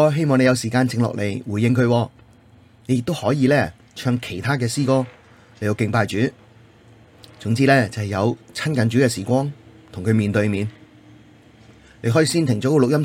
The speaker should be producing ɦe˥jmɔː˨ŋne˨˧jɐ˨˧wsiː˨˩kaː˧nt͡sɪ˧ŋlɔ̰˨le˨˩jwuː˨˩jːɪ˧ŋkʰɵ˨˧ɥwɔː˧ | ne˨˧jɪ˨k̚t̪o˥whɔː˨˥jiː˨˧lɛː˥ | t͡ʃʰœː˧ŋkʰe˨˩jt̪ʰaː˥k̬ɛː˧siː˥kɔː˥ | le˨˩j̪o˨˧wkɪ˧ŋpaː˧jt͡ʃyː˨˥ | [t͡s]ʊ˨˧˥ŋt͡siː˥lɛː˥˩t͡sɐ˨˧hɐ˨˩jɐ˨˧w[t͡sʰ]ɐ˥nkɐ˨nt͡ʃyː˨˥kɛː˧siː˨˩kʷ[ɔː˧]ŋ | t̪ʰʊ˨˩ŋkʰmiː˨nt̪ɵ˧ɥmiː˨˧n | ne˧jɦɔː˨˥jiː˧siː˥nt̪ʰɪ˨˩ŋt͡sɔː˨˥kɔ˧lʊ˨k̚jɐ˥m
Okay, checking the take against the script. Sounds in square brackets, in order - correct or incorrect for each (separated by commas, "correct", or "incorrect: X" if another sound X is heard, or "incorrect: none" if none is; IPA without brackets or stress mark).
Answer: correct, correct, incorrect: ɔː˥